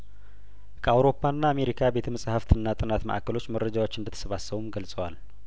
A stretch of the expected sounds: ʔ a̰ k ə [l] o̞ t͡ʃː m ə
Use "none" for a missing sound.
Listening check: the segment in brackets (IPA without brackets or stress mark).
l